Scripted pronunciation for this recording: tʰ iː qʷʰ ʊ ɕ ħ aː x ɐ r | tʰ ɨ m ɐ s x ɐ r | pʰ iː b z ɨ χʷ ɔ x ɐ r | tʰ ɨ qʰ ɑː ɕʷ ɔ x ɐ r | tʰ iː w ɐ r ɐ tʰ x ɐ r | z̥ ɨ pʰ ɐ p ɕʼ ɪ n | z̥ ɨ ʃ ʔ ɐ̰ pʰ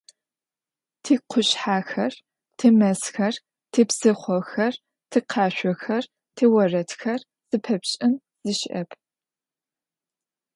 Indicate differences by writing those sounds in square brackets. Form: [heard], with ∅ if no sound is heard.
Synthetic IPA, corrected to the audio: tʰ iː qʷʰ ʊ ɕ ħ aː x ɐ r | tʰ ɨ m ɐ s x ɐ r | [tʰ] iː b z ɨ χʷ ɔ x ɐ r | tʰ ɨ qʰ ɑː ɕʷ ɔ x ɐ r | tʰ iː w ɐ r ɐ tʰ x ɐ r | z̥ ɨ pʰ ɐ p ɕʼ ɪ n | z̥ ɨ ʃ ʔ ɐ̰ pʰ